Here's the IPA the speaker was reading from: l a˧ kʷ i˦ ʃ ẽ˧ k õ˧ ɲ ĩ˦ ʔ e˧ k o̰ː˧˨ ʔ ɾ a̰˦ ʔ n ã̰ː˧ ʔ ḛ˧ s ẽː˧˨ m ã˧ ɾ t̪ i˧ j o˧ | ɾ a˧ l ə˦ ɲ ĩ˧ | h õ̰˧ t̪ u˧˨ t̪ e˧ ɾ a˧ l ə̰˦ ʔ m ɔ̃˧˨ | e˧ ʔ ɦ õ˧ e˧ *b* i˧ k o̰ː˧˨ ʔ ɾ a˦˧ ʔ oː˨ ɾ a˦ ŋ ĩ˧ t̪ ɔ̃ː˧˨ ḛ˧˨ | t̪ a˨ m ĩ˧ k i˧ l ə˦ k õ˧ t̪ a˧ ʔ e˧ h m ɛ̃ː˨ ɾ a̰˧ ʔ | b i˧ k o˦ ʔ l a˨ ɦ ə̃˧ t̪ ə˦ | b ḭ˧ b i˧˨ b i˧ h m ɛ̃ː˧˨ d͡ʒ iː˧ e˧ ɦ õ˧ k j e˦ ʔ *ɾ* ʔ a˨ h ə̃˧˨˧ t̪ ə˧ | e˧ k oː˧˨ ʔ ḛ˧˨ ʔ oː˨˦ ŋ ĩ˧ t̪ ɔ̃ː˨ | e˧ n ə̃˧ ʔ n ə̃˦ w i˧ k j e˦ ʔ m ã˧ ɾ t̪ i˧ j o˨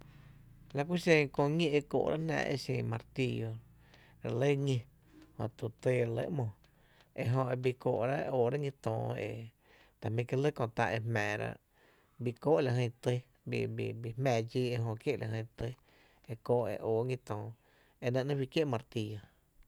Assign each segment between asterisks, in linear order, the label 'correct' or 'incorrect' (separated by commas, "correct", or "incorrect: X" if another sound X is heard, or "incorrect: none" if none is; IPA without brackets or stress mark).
correct, incorrect: l